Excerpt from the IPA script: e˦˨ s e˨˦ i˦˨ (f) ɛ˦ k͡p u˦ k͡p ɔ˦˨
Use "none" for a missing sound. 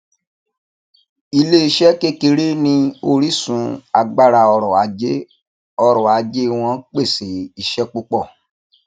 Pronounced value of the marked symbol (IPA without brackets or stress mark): ʃ